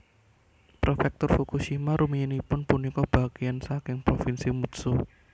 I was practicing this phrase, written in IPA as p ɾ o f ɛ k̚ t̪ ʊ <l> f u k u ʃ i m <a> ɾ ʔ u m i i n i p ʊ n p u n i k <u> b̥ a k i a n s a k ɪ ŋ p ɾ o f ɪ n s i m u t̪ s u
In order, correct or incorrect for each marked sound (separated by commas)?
incorrect, correct, incorrect